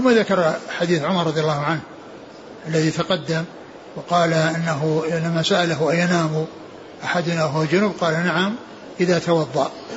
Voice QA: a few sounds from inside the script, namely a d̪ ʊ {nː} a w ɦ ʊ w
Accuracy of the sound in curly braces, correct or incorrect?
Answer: incorrect